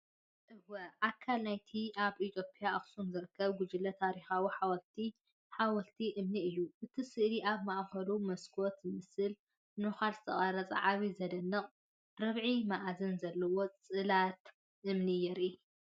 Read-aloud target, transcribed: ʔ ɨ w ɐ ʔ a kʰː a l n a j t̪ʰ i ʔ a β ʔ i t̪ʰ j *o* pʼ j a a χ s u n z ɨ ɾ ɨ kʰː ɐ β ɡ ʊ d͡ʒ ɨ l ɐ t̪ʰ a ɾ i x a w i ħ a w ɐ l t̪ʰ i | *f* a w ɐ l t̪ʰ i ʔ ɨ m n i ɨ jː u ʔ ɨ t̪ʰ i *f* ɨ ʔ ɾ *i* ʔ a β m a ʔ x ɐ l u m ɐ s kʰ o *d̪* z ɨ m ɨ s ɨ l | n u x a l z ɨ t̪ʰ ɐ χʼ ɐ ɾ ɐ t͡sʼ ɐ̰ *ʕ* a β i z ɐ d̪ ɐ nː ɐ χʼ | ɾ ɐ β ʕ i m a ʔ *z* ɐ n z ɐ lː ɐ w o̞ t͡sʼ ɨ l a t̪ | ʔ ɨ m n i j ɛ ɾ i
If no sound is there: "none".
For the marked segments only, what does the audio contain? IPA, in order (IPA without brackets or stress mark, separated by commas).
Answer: o, ħ, s, i, t̪, ʕ, z